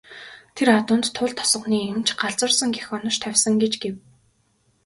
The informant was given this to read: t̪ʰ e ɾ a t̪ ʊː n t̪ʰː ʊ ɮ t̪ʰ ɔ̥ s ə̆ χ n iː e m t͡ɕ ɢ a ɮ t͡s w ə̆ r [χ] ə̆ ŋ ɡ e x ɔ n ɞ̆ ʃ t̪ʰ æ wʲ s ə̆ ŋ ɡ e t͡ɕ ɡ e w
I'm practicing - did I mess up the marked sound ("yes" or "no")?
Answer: yes